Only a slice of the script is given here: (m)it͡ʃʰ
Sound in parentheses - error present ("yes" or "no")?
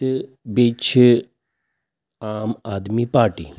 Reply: yes